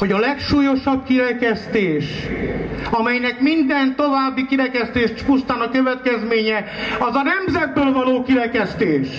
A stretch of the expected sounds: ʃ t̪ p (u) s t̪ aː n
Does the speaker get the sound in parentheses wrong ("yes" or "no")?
no